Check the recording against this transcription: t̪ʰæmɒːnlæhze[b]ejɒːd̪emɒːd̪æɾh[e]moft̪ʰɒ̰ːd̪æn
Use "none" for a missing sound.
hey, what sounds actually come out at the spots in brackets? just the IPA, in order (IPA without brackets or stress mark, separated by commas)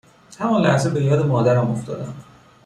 b, æ